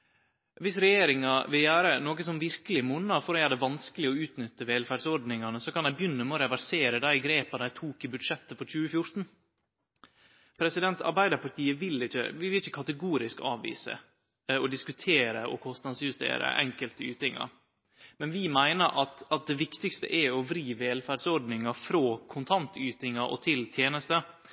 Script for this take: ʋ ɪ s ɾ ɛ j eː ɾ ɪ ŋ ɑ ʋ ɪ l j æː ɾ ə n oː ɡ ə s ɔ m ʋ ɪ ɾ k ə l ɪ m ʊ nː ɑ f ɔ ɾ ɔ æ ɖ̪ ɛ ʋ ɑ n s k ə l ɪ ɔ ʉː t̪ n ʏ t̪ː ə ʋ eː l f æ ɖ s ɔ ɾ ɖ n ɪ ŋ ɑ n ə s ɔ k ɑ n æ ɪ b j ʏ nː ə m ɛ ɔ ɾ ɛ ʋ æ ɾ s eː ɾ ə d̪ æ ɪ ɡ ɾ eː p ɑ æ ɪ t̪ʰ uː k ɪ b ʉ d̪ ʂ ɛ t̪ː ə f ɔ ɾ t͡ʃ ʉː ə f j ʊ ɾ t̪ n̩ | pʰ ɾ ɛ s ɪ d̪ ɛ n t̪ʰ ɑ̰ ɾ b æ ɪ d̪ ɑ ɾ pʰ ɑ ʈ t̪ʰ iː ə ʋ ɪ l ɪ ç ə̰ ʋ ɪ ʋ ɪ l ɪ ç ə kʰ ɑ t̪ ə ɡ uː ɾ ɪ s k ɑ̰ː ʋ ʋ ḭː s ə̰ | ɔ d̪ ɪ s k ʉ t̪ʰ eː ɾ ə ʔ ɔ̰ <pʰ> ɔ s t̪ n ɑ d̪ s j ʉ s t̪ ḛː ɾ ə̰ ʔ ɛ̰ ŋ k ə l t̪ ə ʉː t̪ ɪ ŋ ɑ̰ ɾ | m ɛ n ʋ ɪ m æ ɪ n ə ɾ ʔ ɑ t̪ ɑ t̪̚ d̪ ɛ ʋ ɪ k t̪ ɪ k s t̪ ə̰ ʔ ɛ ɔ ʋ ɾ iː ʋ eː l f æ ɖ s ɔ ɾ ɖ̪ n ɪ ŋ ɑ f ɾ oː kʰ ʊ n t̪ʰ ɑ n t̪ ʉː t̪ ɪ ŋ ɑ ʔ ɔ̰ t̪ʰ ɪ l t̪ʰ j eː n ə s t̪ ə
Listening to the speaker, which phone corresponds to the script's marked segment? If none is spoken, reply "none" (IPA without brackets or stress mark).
kʰ